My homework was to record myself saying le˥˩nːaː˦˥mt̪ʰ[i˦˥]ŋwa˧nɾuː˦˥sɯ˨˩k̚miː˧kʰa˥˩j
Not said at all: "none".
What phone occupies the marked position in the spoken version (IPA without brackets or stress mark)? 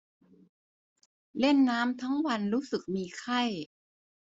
a˦˥